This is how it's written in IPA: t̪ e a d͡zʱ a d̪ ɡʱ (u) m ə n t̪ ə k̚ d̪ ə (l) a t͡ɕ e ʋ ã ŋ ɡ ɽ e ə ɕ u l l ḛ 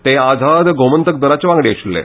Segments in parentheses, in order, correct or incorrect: incorrect: o, incorrect: ɾ

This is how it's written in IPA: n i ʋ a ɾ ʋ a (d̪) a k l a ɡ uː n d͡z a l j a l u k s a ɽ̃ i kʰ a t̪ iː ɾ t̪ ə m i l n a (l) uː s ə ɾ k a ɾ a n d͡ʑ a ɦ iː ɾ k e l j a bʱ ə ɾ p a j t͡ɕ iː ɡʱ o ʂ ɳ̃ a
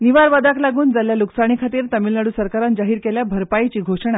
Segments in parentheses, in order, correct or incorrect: correct, incorrect: ɽ

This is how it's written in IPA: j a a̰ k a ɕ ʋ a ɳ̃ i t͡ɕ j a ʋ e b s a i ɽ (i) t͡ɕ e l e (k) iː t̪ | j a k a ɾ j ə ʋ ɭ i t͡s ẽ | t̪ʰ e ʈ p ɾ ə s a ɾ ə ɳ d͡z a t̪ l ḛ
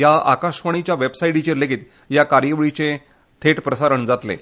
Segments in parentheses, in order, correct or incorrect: correct, incorrect: ɡ

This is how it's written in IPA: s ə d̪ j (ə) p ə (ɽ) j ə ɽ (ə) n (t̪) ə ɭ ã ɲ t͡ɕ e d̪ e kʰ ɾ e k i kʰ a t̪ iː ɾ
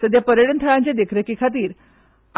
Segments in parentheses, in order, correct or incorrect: incorrect: a, incorrect: ɾ, correct, incorrect: t̪ʰ

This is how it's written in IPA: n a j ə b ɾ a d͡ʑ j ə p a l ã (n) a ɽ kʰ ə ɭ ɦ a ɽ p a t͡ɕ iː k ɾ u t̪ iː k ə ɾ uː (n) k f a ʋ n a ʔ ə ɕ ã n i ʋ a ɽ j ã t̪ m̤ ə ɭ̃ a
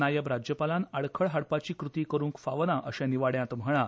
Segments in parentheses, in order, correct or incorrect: correct, incorrect: ŋ

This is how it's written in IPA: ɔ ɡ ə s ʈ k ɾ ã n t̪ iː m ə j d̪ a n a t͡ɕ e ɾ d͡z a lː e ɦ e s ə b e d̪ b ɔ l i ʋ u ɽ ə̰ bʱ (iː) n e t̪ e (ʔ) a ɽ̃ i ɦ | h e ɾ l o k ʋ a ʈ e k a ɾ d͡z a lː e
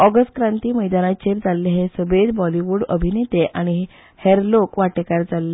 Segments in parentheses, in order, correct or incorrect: incorrect: i, correct

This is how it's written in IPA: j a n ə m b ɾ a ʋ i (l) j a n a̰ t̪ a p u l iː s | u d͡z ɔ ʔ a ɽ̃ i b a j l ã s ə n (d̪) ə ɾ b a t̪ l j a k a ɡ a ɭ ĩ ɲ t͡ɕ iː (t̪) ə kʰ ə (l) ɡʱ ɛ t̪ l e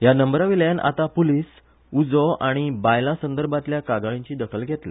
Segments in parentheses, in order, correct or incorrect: correct, correct, incorrect: d̪, correct

